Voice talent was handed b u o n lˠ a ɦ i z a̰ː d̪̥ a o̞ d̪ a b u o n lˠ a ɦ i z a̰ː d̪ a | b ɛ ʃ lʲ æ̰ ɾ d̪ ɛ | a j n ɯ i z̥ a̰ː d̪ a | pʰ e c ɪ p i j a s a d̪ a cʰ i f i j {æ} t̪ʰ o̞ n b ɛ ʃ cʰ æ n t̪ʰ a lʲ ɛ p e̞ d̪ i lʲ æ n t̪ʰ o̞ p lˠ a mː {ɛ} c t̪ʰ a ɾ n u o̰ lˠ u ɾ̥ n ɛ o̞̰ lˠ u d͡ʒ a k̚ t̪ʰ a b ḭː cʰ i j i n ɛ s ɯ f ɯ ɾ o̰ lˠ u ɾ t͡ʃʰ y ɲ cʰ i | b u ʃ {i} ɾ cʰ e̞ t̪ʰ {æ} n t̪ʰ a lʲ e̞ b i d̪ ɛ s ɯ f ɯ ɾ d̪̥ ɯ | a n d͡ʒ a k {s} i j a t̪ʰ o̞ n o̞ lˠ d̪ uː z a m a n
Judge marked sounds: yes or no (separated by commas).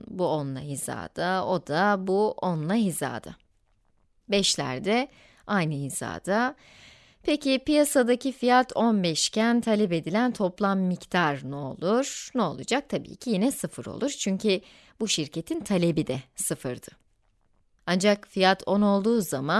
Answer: no, no, yes, no, no